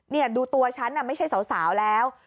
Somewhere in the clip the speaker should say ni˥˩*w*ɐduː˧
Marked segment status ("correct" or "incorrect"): incorrect